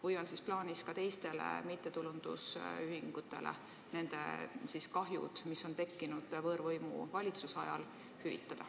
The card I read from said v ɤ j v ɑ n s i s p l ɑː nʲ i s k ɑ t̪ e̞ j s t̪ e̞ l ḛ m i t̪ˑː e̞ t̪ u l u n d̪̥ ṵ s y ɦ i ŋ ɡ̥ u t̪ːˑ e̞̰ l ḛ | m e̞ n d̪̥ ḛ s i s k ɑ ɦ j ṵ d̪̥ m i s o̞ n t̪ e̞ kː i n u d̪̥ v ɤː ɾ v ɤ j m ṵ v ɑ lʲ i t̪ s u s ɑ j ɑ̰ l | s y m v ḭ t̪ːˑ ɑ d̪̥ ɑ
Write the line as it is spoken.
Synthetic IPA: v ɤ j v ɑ n s i s p l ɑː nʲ i s k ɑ t̪ e̞ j s t̪ e̞ l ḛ m i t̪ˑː e̞ t̪ u l u n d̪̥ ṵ s y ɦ i ŋ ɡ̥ u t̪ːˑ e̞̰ l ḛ | n e̞ n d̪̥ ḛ s i s k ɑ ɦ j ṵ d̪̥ m i s o̞ n t̪ e̞ kː i n u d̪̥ v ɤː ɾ v ɤ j m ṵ v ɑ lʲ i t̪ s u s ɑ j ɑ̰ l | h y v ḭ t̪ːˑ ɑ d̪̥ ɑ